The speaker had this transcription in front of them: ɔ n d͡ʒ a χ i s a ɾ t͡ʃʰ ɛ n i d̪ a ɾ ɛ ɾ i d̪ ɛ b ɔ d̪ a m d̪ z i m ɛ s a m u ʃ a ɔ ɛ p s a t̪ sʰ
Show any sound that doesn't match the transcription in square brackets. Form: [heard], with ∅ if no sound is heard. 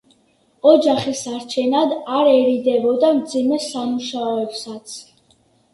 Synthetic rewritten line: ɔ [∅] d͡ʒ a χ i s a ɾ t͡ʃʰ ɛ n [a] d̪ a ɾ ɛ ɾ i d̪ ɛ b ɔ d̪ a m d̪ z i m ɛ s a m u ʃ a ɔ ɛ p s a t̪ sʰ